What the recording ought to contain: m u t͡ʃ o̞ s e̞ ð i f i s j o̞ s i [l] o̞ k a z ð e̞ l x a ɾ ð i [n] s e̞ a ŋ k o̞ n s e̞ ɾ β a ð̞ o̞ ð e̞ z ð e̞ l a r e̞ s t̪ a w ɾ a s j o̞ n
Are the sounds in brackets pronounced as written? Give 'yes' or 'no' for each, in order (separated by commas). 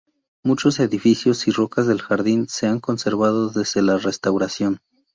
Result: no, yes